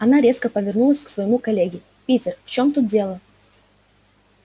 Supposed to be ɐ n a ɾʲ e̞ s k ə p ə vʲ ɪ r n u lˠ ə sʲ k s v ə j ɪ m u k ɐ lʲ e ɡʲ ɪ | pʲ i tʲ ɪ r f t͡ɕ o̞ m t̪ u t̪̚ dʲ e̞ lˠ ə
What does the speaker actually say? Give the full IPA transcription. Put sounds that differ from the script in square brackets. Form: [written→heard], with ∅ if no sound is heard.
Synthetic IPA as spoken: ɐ n a ɾʲ e̞ s k ə p ə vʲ ɪ r n u lˠ ə sʲ k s v ə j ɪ m u k ɐ lʲ e ɡʲ ɪ | pʲ i tʲ ɪ r f t͡ɕ o̞ m t̪ u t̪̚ dʲ e̞ lˠ ə